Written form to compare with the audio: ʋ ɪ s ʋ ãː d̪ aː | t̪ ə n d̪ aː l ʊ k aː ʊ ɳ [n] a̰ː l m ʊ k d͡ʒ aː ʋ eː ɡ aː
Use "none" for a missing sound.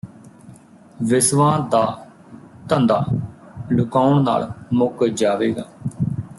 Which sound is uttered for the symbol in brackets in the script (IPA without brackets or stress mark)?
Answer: n